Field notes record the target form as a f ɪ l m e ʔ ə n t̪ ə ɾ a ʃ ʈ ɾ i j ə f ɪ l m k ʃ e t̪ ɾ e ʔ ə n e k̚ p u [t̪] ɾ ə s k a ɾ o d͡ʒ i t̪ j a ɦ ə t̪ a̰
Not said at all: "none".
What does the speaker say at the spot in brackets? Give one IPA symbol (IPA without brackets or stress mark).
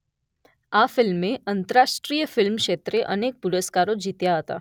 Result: none